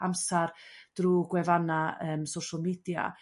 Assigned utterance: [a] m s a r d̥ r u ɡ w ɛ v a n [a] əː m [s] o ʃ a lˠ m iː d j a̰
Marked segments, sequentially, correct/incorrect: correct, correct, correct

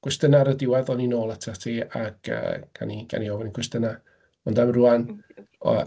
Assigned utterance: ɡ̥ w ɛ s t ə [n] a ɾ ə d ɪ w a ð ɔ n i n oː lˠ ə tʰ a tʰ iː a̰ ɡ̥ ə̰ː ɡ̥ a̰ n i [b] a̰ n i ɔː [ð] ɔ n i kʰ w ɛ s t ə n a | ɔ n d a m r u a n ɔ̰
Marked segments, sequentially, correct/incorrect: correct, incorrect, incorrect

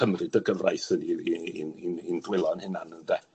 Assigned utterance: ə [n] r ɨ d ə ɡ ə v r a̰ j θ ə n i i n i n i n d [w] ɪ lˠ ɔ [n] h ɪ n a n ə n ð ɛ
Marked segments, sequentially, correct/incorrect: incorrect, correct, correct

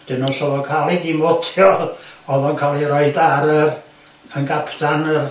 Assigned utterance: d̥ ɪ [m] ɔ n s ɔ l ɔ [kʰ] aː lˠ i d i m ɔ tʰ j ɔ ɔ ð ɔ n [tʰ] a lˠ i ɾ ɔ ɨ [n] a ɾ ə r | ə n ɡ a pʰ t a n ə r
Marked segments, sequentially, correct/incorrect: incorrect, correct, incorrect, incorrect

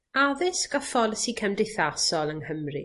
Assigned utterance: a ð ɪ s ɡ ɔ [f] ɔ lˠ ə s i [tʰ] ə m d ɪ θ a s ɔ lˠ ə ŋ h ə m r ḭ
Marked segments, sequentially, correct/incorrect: correct, incorrect

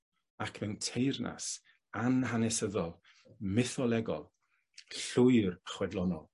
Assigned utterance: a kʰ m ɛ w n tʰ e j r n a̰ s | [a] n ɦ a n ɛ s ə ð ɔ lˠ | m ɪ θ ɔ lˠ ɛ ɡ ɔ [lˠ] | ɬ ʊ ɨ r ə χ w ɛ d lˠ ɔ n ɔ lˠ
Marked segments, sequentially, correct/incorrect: correct, correct

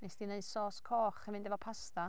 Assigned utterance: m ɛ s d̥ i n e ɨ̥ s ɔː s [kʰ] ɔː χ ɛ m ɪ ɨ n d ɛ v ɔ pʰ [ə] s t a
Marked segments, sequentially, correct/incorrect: correct, incorrect

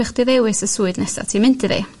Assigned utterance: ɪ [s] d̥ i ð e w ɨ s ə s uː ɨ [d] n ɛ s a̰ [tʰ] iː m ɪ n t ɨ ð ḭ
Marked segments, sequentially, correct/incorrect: incorrect, correct, correct

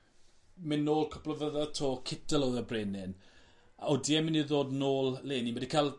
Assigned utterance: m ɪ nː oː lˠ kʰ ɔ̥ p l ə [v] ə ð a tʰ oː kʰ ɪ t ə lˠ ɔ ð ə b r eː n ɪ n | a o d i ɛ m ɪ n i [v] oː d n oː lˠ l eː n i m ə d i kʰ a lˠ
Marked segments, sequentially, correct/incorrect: correct, incorrect

